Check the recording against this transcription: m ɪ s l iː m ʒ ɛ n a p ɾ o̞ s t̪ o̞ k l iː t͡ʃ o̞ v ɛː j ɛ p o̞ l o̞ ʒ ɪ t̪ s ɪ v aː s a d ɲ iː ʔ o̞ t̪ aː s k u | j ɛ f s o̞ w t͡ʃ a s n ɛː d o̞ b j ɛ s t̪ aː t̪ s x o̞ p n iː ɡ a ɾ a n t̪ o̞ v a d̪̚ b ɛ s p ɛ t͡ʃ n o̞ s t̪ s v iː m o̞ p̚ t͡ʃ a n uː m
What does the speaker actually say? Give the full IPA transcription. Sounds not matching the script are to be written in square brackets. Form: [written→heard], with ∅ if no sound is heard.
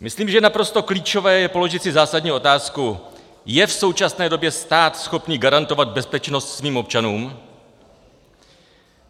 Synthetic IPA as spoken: m ɪ s l iː m ʒ ɛ n a p ɾ o̞ s t̪ o̞ k l iː t͡ʃ o̞ v ɛː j ɛ p o̞ l o̞ ʒ ɪ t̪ s ɪ [v→z] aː s a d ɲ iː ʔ o̞ t̪ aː s k u | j ɛ f s o̞ w t͡ʃ a s n ɛː d o̞ b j ɛ s t̪ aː t̪ s x o̞ p n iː ɡ a ɾ a n t̪ o̞ v a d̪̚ b ɛ s p ɛ t͡ʃ n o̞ s t̪ s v iː m o̞ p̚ t͡ʃ a n uː m